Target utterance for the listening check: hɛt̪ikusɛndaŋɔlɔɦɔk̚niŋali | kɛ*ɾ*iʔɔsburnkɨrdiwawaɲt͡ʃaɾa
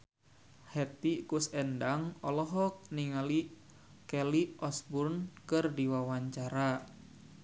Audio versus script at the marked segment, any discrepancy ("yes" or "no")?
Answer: yes